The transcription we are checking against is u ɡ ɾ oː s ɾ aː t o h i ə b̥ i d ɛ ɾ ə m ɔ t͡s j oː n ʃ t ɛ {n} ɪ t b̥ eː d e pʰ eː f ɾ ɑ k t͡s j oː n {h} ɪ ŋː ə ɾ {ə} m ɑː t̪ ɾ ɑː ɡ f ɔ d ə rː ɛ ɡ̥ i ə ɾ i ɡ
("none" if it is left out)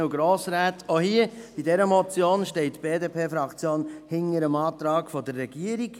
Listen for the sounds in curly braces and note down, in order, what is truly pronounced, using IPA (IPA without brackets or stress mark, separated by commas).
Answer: none, h, ə